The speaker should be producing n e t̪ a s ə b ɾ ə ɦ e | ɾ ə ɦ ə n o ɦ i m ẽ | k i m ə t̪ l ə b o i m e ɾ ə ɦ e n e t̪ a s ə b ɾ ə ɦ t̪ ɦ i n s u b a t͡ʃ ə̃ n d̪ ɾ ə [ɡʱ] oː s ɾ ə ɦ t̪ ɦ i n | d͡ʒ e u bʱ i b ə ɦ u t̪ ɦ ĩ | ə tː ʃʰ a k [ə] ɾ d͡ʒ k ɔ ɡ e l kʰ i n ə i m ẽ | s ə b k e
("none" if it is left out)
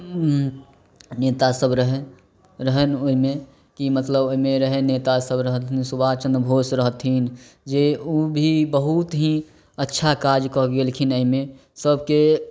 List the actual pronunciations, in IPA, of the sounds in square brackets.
bʱ, a

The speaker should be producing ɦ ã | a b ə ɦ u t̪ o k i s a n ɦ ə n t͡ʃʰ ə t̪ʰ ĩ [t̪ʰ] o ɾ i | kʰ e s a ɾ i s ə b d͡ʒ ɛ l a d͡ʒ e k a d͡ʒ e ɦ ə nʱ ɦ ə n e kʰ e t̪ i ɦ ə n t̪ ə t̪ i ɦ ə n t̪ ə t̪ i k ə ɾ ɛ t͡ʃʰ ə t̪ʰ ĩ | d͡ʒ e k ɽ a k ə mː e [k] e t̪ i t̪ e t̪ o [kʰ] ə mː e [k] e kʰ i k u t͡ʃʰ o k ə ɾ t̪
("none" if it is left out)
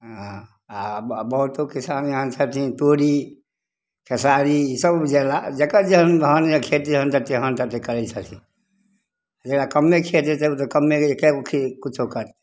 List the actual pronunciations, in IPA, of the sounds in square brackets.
t̪, kʰ, k, k

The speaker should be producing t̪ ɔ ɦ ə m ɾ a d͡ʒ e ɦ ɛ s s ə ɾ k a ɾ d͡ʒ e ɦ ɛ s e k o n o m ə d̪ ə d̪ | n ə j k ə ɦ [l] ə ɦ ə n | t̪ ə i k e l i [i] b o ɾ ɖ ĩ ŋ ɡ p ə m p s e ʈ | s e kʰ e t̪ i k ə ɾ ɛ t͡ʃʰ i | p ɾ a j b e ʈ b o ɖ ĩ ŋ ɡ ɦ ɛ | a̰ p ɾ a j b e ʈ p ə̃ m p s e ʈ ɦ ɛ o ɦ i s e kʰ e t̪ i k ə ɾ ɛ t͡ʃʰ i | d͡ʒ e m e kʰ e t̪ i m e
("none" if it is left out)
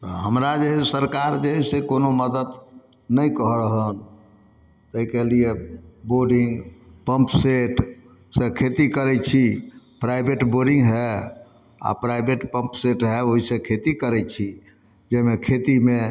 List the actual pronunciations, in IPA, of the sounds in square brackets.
ɾ, e

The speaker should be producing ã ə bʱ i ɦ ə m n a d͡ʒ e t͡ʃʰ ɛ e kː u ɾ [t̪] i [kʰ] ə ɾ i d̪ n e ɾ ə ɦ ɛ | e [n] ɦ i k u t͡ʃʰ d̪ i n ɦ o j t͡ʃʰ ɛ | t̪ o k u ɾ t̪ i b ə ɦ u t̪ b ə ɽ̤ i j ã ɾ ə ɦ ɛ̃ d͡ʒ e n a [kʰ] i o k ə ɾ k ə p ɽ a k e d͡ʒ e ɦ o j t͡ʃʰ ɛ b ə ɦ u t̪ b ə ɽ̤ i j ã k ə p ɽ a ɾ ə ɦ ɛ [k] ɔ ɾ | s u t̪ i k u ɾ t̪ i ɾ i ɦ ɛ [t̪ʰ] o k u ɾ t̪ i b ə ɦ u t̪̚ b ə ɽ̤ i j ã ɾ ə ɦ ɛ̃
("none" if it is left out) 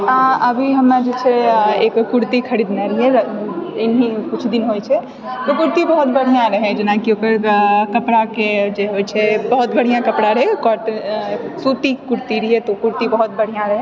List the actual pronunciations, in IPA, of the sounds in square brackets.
t̪, kʰ, n, k, k, t̪

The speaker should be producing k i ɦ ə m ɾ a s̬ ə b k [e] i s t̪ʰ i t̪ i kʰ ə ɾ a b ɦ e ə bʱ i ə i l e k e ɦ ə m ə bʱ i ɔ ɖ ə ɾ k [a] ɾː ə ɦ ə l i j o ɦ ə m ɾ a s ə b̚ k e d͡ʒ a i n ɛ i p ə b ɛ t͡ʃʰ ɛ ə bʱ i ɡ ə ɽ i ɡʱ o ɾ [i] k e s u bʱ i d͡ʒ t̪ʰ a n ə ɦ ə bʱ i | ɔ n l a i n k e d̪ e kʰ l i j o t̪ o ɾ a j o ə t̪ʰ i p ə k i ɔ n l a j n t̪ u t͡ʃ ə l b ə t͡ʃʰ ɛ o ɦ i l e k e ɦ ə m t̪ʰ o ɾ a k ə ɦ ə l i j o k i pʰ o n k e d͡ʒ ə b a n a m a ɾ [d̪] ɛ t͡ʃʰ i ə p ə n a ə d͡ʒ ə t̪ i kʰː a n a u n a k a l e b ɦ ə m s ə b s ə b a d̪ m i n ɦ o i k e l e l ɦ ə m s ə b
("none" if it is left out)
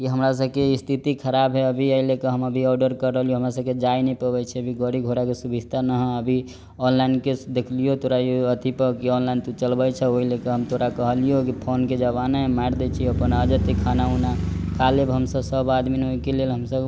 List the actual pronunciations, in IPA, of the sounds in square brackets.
e, ə, a, d̪

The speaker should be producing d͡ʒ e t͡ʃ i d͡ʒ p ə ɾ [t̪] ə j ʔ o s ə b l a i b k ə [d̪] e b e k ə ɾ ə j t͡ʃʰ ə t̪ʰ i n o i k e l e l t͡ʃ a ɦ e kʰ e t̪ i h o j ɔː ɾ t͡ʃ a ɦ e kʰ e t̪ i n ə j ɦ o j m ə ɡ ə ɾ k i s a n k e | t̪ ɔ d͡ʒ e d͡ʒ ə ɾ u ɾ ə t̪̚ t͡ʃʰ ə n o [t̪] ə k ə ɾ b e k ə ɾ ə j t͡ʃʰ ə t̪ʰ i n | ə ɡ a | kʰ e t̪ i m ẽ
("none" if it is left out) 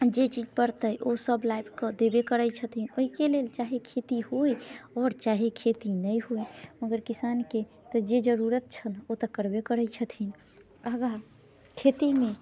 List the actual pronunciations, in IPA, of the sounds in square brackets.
t̪, d̪, t̪

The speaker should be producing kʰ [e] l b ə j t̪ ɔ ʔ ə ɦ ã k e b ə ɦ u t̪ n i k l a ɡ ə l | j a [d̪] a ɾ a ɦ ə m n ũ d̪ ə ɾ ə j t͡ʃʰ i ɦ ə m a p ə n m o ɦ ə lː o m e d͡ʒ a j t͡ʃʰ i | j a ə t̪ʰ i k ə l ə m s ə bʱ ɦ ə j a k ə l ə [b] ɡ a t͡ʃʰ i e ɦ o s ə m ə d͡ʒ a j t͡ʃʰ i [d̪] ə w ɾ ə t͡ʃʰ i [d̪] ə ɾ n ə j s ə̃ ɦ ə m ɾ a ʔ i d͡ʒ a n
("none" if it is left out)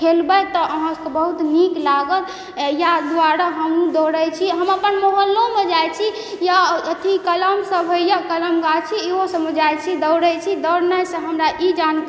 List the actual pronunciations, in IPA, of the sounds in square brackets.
e, d̪, m, d̪, d̪

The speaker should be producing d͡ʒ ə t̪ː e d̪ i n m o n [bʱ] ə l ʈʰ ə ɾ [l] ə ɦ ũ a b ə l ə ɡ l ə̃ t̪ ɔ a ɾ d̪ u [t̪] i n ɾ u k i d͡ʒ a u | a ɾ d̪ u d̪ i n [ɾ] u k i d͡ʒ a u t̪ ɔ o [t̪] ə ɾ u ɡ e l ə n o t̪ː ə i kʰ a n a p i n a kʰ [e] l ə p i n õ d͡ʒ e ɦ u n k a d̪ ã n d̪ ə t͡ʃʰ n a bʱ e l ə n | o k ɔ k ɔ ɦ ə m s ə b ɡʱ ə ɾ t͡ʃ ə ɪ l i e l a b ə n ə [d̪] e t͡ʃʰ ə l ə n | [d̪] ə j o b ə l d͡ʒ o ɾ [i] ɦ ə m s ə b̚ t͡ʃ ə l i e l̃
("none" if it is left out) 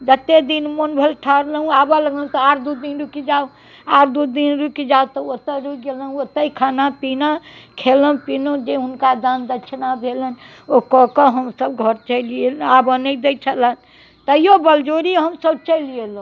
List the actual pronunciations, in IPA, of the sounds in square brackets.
bʱ, l, d̪, ɾ, t̪, e, d̪, t̪, i

